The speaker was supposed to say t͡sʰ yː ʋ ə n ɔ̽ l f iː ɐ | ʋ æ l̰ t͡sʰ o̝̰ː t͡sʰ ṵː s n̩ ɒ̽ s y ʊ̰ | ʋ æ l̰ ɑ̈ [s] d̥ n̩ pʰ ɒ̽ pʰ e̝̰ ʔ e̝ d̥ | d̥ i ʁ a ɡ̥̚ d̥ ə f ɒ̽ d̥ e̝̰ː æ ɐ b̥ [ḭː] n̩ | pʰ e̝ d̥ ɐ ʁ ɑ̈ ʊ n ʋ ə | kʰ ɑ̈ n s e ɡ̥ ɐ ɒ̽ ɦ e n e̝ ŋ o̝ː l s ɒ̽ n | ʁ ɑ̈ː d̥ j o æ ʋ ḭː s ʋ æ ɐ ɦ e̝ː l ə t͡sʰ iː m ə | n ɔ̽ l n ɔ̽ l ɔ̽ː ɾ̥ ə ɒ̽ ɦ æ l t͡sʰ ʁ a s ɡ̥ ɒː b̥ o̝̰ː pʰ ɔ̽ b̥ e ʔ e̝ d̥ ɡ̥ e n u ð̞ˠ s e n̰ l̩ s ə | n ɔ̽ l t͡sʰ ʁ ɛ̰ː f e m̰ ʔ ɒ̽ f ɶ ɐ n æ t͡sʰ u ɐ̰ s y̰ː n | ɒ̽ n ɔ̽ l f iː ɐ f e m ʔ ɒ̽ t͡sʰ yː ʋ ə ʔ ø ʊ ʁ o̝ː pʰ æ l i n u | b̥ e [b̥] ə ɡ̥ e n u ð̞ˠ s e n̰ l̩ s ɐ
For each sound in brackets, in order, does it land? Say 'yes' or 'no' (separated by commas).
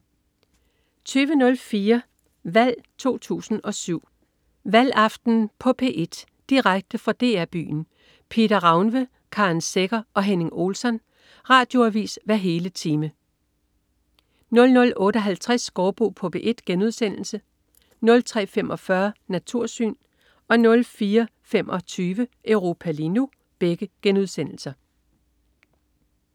no, no, no